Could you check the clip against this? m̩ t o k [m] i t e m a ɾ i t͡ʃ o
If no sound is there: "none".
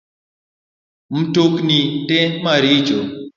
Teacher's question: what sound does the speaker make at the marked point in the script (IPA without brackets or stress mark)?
n